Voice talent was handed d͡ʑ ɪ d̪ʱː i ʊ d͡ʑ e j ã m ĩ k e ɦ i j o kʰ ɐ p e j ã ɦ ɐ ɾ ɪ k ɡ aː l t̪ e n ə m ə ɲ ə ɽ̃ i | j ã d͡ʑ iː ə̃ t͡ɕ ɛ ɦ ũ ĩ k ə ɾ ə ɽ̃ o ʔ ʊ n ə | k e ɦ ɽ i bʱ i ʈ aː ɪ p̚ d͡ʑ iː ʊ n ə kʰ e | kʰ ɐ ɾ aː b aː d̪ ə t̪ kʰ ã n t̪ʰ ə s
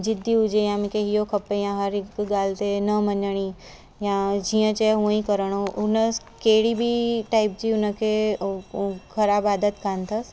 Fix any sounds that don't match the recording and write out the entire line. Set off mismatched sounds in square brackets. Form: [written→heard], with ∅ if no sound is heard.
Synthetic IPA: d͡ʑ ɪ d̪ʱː i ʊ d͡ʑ e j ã m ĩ k e ɦ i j o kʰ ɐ p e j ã ɦ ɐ ɾ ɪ k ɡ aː l t̪ e n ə m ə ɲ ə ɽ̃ i | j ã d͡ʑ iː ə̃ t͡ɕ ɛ ɦ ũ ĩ k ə ɾ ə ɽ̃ o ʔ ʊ n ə | k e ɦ ɽ i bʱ i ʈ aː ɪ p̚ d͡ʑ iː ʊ n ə kʰ e | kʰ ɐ ɾ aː b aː d̪ ə t̪ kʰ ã n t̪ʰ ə s